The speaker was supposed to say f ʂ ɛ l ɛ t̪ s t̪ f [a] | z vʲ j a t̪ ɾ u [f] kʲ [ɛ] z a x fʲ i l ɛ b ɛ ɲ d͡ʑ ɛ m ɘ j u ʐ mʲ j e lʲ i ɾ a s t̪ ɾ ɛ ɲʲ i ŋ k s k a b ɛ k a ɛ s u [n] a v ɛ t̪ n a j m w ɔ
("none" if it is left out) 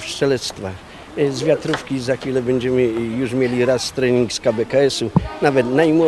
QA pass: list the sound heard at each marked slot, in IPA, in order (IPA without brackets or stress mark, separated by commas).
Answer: a, f, i, n